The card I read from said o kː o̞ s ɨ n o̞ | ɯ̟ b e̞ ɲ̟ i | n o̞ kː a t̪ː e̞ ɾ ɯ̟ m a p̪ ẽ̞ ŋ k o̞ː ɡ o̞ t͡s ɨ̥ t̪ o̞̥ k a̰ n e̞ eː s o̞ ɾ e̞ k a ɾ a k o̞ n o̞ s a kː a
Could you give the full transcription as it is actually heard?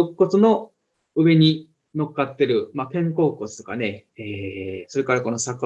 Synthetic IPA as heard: o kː o̞ t͡s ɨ n o̞ | ɯ̟ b e̞ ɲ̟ i | n o̞ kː a t̪ː e̞ ɾ ɯ̟ m a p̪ ẽ̞ ŋ k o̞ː k o̞ t͡s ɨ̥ t̪ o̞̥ k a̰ n e̞ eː s o̞ ɾ e̞ k a ɾ a k o̞ n o̞ s a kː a